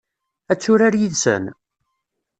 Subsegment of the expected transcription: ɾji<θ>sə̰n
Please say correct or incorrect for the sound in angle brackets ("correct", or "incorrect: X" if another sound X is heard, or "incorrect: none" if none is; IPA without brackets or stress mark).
incorrect: ð